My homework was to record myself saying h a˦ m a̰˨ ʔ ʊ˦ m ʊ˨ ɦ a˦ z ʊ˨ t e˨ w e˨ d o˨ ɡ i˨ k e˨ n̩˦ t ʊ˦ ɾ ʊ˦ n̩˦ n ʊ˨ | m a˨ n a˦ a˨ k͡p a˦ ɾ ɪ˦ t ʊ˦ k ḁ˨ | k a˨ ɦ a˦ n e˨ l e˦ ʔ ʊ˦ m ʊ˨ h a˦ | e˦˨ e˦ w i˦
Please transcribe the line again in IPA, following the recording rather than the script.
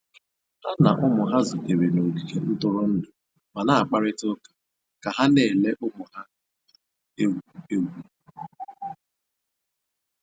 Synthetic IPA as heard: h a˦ n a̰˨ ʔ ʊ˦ m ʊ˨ ɦ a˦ z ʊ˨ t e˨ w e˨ n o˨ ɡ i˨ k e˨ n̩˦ t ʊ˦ ɾ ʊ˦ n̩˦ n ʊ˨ | m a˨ n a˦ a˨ k͡p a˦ ɾ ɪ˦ t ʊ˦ k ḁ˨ | k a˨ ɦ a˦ n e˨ l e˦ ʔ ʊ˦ m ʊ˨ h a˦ | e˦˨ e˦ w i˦